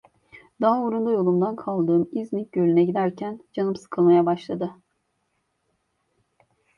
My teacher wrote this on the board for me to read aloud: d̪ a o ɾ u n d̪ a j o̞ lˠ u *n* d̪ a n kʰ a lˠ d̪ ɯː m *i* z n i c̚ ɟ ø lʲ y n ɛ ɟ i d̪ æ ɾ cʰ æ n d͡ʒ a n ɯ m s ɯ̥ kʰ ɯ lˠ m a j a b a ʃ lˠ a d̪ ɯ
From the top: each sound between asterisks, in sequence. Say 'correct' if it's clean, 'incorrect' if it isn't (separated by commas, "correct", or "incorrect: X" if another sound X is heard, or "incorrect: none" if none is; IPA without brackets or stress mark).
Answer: incorrect: m, correct